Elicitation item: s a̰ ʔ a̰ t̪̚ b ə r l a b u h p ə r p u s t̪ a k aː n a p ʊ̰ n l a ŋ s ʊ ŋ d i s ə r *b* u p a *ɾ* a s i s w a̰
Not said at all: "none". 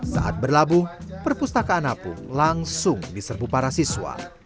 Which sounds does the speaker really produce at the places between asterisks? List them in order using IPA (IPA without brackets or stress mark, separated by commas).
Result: b, ɾ